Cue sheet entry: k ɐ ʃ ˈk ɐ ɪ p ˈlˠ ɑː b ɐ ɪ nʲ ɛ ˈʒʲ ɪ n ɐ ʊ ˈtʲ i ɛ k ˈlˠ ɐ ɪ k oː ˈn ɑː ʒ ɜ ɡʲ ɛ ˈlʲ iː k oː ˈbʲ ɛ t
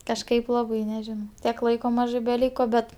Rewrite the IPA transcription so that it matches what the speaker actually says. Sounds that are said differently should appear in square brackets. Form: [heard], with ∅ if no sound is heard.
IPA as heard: k ɐ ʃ ˈk ɐ ɪ p ˈlˠ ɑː b ɐ ɪ nʲ ɛ ˈʒʲ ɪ n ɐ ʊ ˈtʲ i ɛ k ˈlˠ ɐ ɪ k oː [ˈm] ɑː ʒ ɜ [bʲ] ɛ ˈlʲ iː k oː ˈbʲ ɛ t